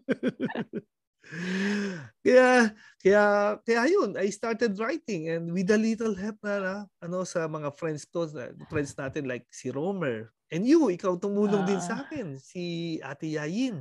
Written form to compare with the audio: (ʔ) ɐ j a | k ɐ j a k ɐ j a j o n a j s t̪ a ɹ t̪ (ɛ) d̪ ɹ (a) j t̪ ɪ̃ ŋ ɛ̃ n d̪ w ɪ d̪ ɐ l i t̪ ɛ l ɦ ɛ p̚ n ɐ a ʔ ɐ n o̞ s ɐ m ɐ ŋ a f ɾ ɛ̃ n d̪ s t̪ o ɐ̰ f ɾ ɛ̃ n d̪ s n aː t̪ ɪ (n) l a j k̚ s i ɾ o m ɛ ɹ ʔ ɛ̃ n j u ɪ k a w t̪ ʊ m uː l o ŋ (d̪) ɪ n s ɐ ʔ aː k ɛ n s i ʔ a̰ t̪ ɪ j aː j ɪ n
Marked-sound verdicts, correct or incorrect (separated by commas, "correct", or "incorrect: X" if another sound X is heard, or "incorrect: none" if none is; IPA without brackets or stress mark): incorrect: k, correct, correct, correct, correct